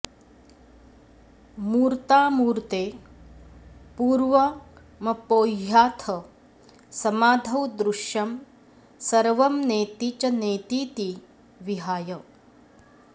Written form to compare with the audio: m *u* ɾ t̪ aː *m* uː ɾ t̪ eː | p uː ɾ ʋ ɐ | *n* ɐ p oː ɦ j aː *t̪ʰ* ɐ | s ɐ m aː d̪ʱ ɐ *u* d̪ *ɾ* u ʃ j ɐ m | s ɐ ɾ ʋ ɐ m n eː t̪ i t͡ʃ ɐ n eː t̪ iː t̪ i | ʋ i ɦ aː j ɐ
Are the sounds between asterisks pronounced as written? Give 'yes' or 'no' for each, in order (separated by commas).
no, yes, no, yes, no, yes